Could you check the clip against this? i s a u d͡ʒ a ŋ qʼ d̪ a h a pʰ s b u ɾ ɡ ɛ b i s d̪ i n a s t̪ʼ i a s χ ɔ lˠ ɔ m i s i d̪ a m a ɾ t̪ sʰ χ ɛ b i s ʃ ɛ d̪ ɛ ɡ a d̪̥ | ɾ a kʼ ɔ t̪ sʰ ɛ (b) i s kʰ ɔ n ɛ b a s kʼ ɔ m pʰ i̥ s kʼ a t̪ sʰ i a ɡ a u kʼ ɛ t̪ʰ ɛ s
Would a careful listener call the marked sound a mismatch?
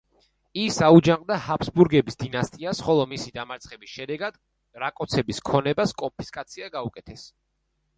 no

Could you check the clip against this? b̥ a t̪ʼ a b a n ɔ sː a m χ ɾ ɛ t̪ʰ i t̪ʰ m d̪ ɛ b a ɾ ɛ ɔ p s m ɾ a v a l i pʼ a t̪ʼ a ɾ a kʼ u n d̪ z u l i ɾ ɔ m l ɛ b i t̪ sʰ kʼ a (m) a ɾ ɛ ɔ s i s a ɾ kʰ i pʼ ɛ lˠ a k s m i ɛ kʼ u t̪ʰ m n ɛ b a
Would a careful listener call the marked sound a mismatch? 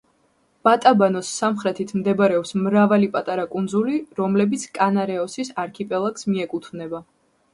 yes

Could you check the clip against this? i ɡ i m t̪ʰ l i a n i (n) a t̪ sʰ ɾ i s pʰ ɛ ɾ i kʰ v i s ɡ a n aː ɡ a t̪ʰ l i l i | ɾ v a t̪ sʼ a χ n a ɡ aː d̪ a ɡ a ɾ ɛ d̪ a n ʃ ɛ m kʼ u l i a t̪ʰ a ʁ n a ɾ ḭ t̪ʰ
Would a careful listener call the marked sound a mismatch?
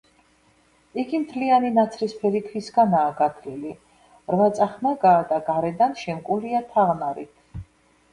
no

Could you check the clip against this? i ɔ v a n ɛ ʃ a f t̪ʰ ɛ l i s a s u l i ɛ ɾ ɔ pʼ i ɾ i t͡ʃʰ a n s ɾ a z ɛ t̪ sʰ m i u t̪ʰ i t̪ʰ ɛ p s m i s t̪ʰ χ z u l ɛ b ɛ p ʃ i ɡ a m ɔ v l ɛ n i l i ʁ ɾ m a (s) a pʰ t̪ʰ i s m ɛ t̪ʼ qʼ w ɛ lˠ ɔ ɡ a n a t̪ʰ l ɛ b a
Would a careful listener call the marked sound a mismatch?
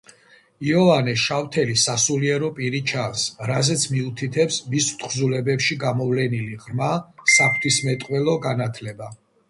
no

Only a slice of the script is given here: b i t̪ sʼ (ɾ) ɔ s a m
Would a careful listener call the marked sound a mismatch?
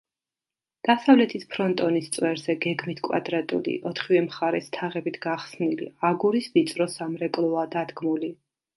no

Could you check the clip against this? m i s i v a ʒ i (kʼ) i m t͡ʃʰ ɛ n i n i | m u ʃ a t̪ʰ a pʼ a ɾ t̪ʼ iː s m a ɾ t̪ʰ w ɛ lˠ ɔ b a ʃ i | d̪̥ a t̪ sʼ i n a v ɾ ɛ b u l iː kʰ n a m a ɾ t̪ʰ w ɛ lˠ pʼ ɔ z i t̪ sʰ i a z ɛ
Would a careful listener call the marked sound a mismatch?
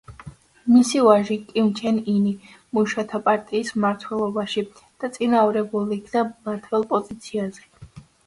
no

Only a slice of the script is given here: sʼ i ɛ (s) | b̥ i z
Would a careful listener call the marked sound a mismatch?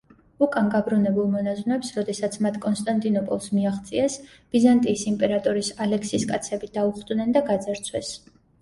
no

